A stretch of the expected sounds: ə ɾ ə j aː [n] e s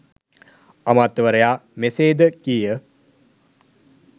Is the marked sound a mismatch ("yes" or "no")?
yes